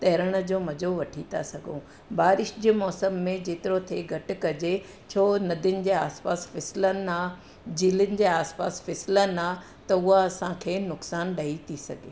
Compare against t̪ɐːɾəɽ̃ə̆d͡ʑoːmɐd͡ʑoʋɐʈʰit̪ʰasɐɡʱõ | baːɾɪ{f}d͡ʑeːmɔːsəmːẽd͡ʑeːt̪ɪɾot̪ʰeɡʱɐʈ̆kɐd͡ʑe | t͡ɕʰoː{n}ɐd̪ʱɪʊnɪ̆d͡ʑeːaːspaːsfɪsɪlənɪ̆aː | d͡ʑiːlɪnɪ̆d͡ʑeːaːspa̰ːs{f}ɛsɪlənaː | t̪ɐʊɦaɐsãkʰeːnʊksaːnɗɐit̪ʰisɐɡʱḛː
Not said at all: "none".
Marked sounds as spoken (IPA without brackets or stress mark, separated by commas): ʃ, n, f